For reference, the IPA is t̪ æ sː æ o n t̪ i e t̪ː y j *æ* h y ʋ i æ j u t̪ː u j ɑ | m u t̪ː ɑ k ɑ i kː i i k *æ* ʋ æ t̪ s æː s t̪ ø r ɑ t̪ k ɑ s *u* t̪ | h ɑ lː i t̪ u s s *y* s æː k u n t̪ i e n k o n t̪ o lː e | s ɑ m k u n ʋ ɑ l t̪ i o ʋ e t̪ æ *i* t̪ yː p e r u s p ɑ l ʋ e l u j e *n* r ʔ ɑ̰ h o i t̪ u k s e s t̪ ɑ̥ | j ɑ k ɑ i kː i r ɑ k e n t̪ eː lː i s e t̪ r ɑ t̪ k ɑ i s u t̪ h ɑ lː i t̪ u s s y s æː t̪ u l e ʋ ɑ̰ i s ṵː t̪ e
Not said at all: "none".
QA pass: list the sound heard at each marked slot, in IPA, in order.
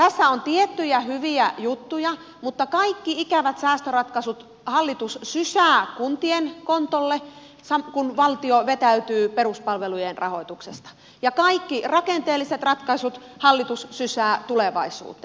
æ, æ, u, y, y, n

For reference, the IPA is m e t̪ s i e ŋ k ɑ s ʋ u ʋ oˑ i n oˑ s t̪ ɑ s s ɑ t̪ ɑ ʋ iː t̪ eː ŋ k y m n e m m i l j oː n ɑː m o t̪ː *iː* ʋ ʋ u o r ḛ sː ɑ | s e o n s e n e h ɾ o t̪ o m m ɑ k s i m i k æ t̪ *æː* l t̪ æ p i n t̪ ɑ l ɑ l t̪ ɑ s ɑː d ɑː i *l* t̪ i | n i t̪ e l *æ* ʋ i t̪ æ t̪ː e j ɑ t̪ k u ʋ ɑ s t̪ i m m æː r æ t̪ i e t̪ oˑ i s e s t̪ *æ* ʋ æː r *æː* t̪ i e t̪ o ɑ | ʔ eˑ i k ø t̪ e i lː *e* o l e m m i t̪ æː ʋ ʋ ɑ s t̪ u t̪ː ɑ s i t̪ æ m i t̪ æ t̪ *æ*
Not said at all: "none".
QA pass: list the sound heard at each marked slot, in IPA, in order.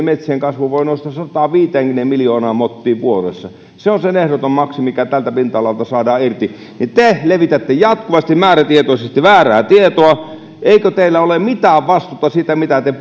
iː, æ, r, e, i, æː, æ, e

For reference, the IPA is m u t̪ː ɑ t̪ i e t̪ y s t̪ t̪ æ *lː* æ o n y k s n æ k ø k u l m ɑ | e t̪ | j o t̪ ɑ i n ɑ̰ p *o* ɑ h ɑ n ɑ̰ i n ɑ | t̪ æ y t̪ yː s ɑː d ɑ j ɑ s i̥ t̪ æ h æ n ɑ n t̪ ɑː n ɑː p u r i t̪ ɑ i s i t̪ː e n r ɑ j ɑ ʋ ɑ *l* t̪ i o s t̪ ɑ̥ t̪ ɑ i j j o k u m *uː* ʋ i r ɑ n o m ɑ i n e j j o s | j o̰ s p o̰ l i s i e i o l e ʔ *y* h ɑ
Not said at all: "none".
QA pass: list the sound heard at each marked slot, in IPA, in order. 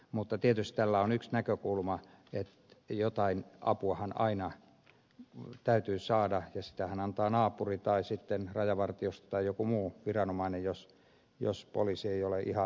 lː, u, r, uː, i

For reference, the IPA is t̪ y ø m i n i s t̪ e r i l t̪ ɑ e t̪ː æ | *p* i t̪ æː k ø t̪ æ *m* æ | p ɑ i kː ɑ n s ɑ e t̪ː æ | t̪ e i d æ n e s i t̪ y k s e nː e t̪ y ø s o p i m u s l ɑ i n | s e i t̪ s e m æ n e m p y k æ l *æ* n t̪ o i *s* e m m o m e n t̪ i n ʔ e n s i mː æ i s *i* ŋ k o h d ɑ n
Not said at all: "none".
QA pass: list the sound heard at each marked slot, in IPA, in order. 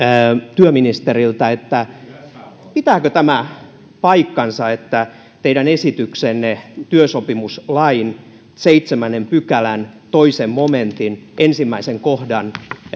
p, m, æ, s, e

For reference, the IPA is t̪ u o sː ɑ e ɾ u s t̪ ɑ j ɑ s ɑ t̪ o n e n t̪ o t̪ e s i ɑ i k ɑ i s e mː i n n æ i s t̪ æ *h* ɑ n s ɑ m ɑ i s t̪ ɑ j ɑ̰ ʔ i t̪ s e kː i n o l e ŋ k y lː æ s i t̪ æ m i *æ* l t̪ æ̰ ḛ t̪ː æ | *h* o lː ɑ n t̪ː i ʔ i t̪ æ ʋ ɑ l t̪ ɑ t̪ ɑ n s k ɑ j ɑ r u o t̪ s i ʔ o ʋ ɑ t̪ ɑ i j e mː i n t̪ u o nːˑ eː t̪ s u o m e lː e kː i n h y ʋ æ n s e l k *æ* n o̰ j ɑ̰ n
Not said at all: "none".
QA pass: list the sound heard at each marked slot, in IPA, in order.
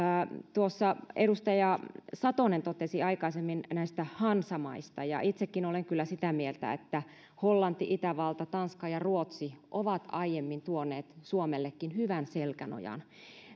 h, e, h, æ

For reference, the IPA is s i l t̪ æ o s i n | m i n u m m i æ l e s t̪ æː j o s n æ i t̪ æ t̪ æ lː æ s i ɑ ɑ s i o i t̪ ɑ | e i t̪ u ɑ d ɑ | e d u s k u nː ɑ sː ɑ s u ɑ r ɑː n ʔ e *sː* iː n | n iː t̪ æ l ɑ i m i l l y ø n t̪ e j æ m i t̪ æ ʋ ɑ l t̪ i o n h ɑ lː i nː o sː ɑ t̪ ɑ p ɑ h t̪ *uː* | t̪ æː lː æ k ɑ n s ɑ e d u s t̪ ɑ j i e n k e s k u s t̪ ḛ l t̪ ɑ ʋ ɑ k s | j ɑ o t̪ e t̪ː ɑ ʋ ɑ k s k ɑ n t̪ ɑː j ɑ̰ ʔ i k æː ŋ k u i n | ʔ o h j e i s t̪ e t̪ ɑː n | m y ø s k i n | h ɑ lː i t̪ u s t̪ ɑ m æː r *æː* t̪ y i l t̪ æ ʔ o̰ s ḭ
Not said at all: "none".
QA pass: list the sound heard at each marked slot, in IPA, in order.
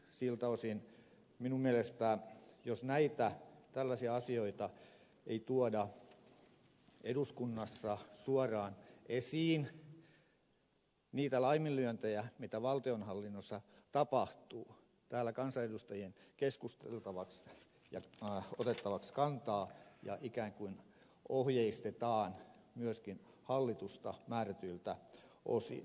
s, uː, æ

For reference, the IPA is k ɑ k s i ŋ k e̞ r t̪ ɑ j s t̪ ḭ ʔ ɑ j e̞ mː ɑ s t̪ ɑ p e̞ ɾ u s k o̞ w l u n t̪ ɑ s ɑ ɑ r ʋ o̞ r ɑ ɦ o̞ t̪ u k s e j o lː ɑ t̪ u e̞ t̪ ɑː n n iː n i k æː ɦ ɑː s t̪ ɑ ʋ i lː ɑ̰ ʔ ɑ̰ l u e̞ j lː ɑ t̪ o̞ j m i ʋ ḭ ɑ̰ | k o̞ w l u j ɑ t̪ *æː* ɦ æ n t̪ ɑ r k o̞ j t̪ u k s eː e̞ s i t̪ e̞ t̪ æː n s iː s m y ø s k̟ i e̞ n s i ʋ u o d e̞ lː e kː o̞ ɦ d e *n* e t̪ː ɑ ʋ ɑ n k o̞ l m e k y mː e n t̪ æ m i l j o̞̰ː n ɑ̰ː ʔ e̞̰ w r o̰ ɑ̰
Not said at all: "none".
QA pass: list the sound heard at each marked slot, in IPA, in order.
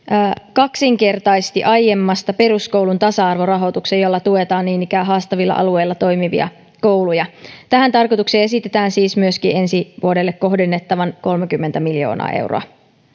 æ, nː

